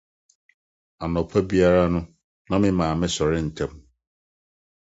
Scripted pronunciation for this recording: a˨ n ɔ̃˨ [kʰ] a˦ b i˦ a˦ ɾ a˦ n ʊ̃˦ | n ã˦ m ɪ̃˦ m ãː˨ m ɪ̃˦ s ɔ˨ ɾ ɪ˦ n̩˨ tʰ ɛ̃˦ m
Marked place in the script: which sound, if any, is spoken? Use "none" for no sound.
pʰ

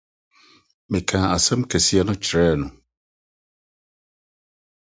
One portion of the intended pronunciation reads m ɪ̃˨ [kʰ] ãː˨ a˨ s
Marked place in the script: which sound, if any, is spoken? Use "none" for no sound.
kʰ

